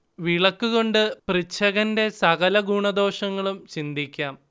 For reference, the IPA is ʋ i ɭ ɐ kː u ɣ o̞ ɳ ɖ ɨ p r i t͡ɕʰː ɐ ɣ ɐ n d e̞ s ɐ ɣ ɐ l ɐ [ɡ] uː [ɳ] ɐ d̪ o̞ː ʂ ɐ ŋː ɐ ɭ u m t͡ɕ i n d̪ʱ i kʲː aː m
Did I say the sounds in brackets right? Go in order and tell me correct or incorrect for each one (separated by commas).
correct, correct